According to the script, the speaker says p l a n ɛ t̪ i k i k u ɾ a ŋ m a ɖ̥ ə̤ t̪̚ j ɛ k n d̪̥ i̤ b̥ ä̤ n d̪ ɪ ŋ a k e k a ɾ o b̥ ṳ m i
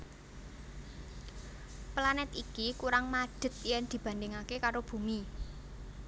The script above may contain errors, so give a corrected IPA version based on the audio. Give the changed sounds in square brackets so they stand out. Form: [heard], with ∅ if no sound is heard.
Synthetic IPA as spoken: p l a n ɛ t̪ i k i k u ɾ a ŋ m a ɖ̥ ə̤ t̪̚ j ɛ [∅] n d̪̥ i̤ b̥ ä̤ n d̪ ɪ ŋ a k e k a ɾ o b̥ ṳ m i